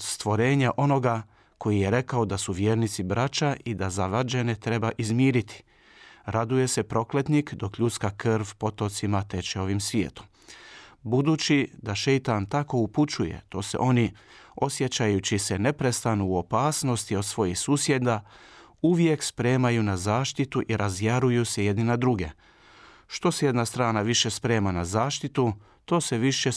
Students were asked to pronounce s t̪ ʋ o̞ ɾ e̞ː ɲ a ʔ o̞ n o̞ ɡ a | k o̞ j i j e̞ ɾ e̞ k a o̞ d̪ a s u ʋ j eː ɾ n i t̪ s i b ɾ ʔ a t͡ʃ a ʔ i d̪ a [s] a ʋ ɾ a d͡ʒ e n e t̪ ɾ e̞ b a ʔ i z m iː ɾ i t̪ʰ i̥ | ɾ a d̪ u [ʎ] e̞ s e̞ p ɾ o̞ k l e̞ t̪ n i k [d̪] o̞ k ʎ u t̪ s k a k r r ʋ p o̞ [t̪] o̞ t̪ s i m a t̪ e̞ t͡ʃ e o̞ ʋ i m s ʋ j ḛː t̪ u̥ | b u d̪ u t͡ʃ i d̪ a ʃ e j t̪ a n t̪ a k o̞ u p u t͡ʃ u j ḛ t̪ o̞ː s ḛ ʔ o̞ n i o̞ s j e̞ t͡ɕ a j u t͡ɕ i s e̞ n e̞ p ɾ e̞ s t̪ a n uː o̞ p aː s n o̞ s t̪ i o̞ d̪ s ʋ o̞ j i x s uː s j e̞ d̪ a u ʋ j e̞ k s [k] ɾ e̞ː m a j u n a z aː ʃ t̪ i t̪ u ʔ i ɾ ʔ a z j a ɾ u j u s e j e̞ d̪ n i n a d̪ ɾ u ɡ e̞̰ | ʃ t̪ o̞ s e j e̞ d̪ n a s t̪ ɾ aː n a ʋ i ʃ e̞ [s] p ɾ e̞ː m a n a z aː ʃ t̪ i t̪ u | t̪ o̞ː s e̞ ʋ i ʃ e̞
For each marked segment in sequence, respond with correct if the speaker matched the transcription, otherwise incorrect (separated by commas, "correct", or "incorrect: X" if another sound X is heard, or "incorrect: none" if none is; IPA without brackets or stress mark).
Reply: incorrect: z, incorrect: j, correct, correct, incorrect: p, correct